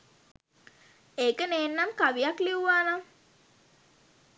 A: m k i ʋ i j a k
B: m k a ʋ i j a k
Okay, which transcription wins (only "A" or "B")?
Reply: B